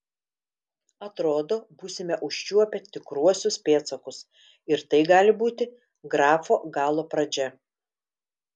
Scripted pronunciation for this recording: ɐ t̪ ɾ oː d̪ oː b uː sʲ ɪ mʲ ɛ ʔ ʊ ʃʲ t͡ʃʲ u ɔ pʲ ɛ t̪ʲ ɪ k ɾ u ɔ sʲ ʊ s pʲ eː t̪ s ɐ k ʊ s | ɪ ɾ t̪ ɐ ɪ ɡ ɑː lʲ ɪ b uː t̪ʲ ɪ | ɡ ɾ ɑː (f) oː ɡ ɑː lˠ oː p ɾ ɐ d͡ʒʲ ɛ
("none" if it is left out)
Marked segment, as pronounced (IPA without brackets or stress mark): f